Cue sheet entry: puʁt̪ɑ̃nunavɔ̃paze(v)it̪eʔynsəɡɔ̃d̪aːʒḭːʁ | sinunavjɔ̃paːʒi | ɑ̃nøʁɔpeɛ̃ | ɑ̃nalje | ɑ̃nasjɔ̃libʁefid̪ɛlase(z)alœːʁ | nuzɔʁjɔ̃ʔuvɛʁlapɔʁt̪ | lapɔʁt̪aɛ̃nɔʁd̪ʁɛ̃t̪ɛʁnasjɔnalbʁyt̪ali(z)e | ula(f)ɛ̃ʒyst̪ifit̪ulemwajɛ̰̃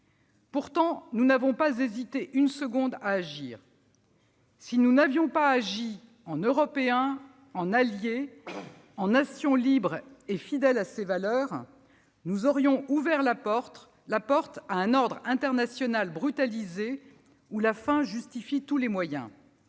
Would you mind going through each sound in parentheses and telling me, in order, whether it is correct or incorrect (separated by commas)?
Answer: incorrect, incorrect, correct, correct